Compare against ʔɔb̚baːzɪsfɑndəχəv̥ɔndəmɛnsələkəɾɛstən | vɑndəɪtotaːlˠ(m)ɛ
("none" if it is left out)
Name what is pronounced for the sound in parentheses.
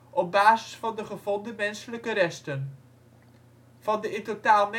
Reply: m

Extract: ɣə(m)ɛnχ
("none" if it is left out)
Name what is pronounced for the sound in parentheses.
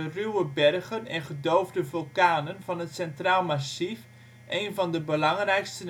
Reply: n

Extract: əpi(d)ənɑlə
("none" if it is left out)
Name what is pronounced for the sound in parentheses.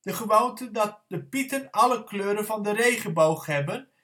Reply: t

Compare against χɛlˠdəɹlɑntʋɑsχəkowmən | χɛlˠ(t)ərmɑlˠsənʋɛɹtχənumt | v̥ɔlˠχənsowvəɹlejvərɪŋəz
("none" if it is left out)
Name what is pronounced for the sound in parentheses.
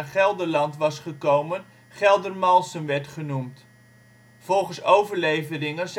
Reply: d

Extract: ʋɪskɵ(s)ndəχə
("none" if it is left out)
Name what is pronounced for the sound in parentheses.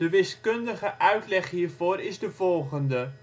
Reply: none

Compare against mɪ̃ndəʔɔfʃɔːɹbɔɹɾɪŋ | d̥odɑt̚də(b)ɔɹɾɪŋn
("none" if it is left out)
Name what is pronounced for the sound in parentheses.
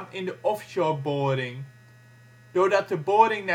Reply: b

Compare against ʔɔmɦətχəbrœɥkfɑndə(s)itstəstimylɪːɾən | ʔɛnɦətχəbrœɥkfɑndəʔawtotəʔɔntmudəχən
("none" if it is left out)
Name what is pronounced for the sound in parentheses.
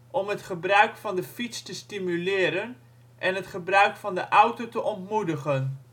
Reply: f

